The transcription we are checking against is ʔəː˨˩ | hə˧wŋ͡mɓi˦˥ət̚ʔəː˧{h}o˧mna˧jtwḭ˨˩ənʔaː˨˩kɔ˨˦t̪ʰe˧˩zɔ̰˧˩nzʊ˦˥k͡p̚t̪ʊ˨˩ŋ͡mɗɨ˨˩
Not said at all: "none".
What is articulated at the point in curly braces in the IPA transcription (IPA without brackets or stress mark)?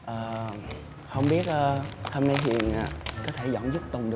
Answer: h